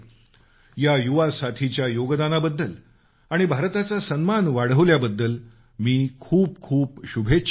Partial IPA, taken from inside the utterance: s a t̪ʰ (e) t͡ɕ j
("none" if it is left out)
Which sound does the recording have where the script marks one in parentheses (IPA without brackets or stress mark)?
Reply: i